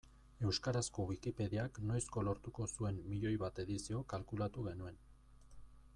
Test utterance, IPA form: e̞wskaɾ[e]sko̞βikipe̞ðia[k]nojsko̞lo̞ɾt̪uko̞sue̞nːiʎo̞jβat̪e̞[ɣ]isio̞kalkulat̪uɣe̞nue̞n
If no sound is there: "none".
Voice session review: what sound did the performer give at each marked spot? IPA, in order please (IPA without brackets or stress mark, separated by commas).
a, k, ð